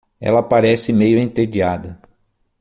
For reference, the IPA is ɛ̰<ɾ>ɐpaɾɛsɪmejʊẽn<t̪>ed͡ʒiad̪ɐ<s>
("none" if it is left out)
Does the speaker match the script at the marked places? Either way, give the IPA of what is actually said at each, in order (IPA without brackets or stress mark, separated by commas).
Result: l, t̪, none